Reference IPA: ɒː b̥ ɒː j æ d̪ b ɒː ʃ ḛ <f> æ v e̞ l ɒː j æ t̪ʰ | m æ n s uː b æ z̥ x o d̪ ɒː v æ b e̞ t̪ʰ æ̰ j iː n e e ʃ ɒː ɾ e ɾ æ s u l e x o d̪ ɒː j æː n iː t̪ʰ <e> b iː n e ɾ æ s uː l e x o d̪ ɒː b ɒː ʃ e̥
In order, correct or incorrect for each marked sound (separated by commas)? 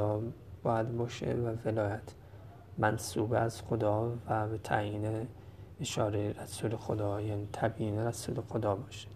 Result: incorrect, incorrect